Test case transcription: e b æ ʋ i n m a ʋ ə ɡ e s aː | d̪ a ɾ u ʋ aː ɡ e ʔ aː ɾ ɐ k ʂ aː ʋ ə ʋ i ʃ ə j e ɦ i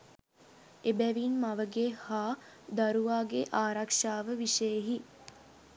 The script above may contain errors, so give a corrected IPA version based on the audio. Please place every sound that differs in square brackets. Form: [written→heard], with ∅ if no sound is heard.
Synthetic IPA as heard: e b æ ʋ i n m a ʋ ə ɡ e [s→h] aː | d̪ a ɾ u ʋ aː ɡ e ʔ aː ɾ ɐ k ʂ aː ʋ ə ʋ i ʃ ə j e ɦ i